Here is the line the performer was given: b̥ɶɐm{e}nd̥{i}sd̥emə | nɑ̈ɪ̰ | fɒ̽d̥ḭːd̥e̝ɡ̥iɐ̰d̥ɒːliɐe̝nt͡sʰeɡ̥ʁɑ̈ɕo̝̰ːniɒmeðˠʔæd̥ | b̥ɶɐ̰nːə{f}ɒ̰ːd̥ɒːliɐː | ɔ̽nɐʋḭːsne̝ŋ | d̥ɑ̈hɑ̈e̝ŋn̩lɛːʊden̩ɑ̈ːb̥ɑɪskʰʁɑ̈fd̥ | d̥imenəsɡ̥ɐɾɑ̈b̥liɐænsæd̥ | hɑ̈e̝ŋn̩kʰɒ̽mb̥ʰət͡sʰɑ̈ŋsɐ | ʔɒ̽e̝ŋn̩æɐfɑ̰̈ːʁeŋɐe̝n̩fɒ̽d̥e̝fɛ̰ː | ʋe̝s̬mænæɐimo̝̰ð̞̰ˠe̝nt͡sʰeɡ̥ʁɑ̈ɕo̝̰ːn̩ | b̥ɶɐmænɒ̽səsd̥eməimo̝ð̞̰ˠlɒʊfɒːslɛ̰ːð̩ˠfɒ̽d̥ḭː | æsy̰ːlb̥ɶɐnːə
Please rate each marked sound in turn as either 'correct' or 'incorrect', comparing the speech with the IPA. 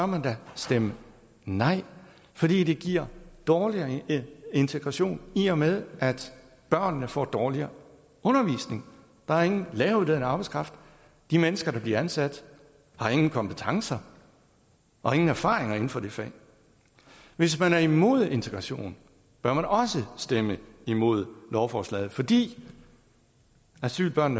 incorrect: æ, incorrect: æ, correct

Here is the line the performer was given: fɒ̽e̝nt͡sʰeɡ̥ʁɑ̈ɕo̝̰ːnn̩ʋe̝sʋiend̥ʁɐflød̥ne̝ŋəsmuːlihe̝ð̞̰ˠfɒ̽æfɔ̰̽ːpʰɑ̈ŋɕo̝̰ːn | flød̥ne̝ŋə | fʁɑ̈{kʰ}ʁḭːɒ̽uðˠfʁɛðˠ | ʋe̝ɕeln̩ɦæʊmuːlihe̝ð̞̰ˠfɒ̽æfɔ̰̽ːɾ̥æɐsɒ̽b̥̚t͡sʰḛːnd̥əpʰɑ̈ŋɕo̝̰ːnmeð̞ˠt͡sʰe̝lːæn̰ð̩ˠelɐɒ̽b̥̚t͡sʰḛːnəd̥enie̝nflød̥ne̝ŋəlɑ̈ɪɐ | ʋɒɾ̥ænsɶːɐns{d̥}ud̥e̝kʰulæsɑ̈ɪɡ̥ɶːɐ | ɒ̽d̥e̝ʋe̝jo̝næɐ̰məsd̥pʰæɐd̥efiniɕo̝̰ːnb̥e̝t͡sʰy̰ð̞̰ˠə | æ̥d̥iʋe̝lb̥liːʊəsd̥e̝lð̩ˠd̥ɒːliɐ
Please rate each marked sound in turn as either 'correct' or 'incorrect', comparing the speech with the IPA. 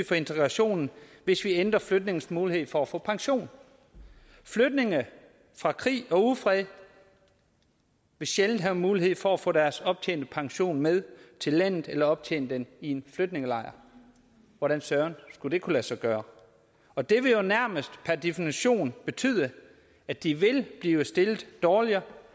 correct, incorrect: ɡ̥

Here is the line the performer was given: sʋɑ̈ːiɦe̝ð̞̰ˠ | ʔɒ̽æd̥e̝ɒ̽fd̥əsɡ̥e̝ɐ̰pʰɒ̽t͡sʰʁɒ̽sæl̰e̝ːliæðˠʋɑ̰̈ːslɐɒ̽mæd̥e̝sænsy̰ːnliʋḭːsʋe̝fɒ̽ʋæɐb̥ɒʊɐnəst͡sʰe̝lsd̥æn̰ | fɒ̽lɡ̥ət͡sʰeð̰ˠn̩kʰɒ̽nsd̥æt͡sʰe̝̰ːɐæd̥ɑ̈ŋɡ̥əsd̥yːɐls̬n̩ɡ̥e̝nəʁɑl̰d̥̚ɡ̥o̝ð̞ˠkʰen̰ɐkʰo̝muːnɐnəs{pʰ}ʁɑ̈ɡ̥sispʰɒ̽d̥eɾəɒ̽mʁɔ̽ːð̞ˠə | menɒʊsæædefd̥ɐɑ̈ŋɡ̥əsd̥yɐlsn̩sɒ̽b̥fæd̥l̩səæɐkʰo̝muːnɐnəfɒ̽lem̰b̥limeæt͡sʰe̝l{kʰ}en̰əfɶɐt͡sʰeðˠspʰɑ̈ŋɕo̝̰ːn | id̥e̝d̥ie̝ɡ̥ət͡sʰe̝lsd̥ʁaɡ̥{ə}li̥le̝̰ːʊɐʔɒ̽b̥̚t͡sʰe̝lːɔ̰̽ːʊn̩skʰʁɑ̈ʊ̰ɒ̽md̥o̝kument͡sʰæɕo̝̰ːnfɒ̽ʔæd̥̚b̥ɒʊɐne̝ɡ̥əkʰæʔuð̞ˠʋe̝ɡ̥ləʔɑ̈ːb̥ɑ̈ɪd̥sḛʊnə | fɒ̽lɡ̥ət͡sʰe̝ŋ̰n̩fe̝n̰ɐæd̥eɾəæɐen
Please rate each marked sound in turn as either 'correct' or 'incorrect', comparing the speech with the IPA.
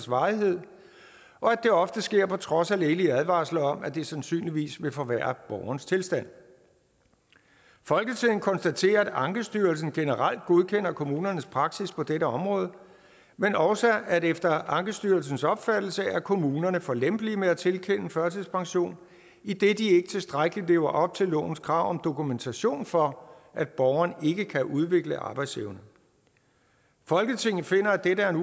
correct, correct, correct

